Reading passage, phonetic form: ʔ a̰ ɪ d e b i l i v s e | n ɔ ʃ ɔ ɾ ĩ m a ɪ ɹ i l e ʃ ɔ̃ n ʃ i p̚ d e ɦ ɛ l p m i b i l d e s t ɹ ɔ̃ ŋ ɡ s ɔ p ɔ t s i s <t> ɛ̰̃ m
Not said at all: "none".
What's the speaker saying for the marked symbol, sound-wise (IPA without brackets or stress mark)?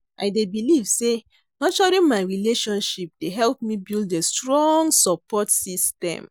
t